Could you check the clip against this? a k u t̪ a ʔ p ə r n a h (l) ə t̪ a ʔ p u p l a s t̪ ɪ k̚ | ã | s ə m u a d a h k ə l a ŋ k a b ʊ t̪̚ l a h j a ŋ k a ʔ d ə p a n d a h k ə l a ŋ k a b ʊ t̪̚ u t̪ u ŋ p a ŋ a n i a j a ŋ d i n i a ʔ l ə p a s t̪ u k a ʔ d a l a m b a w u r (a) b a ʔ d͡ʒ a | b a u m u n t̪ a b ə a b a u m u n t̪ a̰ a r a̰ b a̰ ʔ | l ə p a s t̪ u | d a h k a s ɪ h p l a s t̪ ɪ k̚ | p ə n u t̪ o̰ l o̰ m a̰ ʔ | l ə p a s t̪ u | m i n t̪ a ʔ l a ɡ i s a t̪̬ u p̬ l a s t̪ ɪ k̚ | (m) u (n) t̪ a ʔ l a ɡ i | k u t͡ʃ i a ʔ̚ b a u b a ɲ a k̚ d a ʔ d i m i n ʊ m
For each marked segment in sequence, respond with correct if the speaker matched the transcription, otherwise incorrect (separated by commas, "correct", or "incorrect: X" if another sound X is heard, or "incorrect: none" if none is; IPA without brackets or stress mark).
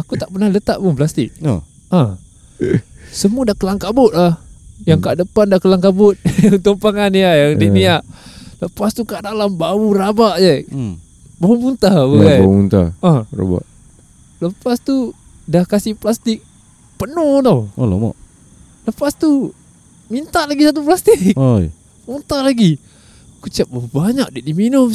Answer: correct, correct, correct, correct